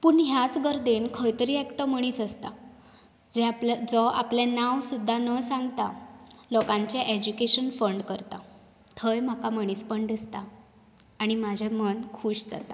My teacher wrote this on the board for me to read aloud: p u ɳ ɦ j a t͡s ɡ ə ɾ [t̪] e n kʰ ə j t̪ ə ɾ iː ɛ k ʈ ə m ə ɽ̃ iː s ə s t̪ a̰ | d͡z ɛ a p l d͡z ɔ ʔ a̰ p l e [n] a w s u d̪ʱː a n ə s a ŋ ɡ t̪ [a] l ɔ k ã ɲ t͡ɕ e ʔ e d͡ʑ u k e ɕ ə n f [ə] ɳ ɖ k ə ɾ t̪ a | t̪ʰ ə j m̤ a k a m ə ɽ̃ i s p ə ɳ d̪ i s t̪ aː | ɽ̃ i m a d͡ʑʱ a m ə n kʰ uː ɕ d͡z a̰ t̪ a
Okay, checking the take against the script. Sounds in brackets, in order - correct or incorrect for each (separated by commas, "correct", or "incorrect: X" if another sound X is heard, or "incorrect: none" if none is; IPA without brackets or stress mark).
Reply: incorrect: d̪, correct, correct, correct